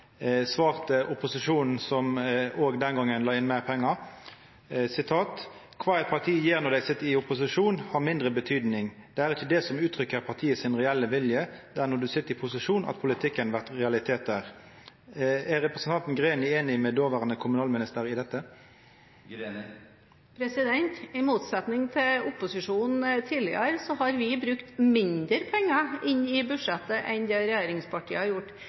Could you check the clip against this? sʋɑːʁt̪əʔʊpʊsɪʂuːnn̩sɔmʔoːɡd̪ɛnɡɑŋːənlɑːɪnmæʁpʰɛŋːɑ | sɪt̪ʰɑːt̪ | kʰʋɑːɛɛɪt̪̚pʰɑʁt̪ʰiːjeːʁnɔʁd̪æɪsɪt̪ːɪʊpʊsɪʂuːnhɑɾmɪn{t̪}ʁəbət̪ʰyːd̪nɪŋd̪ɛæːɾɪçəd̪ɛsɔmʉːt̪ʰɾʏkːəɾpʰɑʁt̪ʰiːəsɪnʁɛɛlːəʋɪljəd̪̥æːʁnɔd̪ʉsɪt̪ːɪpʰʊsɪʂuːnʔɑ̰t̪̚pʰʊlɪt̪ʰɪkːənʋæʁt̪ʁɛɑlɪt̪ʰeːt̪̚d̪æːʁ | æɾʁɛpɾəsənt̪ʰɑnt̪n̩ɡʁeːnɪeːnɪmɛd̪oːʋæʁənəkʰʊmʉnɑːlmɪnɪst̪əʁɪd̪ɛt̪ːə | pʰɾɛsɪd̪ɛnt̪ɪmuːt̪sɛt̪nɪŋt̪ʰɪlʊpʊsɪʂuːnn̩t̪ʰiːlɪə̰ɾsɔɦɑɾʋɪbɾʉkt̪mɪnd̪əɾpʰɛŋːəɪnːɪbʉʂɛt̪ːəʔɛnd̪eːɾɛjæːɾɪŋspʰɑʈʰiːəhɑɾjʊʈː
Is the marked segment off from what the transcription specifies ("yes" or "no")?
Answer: yes